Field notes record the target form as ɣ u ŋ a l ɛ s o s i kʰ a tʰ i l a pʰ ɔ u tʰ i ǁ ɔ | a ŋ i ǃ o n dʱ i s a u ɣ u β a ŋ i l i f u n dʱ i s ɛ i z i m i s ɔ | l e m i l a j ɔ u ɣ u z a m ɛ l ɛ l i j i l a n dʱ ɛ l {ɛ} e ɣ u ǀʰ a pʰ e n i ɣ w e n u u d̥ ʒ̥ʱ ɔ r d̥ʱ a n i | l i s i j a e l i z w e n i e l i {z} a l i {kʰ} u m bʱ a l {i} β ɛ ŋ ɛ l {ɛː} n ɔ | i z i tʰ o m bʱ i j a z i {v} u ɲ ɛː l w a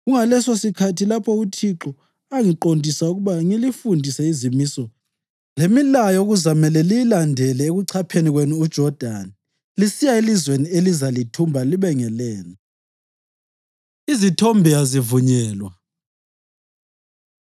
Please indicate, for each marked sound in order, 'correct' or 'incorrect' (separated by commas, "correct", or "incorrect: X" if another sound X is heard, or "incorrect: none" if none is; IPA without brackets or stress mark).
correct, correct, incorrect: tʰ, correct, correct, correct